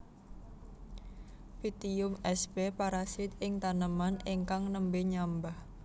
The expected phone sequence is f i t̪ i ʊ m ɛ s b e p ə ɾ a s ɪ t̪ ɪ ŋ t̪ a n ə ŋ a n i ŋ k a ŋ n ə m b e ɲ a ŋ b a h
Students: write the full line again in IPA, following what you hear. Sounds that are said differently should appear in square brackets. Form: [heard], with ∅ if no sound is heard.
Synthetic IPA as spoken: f i t̪ i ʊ m ɛ s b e p [a] ɾ a s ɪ t̪ ɪ ŋ t̪ a n ə [m] a n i ŋ k a ŋ n ə m b e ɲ a [m] b a h